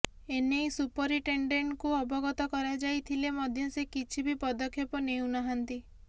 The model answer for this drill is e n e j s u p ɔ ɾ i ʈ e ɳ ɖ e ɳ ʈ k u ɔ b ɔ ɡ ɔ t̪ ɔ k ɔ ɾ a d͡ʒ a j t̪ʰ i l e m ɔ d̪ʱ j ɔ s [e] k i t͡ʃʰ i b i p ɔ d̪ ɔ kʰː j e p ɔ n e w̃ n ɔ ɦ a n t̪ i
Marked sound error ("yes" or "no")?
no